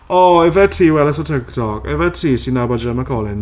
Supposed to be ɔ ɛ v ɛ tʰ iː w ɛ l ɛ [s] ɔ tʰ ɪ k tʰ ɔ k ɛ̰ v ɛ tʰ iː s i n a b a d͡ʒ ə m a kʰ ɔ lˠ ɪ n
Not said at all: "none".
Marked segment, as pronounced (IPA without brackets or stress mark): s